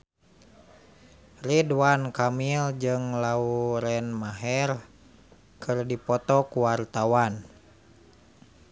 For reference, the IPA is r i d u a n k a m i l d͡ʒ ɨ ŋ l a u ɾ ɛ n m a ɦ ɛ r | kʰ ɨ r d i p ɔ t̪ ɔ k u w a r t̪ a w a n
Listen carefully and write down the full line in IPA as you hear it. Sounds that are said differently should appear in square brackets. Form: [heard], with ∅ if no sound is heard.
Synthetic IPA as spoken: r i d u a n k a m i l d͡ʒ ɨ ŋ l a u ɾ ɛ n m a ɦ ɛ r | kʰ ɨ r d i p ɔ t̪ ɔ k u w a r t̪ a w a n